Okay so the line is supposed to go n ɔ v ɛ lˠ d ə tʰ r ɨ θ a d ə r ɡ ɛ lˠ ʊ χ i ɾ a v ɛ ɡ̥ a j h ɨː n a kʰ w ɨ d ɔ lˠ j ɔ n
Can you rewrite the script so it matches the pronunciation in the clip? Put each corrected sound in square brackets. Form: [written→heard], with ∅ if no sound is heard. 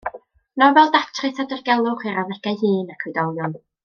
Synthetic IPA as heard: n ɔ v ɛ lˠ d [ə→a] tʰ r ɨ θ a d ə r ɡ ɛ lˠ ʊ χ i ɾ a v ɛ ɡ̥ a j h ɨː n a kʰ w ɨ d ɔ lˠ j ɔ n